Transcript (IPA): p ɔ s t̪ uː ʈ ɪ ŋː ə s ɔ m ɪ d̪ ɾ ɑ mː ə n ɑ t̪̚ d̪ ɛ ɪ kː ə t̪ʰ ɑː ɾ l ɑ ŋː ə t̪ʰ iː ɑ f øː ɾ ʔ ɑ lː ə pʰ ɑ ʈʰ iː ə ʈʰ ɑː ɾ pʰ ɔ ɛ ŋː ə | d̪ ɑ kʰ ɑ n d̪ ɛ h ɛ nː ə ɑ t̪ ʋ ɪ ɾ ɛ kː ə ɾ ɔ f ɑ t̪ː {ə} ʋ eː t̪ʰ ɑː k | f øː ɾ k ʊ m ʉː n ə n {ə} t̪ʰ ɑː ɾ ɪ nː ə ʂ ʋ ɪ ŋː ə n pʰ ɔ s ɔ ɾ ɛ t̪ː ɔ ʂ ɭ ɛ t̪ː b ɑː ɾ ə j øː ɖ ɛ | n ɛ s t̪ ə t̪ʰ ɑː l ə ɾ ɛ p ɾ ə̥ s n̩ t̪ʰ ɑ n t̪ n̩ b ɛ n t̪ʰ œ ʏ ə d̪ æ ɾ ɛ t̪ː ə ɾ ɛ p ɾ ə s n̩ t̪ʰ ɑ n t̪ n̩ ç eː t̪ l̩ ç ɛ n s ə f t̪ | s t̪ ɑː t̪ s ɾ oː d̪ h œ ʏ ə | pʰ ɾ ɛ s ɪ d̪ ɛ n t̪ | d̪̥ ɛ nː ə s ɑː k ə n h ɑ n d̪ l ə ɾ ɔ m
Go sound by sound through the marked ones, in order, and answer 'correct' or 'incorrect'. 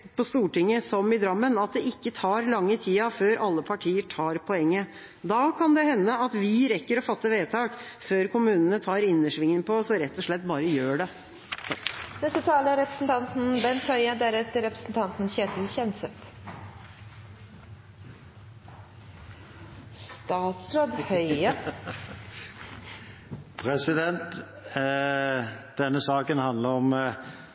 correct, correct

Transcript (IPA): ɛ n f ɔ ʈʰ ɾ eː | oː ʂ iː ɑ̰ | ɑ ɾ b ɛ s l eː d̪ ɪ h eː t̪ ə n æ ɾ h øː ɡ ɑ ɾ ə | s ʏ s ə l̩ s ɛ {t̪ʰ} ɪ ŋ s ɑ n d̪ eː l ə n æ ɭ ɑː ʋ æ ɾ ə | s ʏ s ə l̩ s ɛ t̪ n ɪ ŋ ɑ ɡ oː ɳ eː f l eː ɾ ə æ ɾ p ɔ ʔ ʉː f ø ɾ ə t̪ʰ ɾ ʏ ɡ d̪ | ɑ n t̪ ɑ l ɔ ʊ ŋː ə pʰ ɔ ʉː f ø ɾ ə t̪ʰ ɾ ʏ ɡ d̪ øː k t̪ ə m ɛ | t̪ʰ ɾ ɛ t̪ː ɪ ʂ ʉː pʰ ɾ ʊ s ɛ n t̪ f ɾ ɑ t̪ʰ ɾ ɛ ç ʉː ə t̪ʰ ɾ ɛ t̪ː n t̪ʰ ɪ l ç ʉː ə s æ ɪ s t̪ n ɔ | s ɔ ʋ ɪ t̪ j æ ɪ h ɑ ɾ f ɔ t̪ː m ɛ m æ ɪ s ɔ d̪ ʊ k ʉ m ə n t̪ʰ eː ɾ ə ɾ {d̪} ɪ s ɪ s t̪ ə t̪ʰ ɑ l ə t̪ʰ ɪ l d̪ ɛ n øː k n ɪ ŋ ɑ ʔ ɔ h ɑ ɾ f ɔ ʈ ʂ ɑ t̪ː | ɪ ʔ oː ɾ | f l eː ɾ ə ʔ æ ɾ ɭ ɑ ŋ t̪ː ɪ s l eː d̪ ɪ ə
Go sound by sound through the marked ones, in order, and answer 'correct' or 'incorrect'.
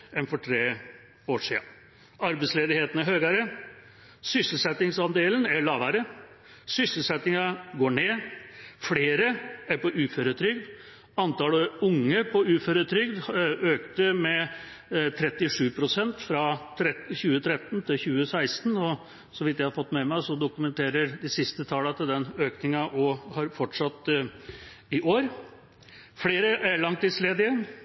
incorrect, correct

